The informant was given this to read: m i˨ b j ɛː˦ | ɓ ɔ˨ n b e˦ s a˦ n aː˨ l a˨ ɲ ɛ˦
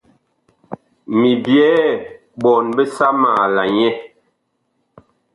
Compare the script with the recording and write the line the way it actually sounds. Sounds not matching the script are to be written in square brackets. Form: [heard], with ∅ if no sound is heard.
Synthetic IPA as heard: m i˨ b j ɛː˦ | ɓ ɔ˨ n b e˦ s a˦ [m] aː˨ l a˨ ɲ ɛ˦